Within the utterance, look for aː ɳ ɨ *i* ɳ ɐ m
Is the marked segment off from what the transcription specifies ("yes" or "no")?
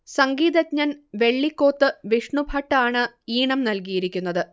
yes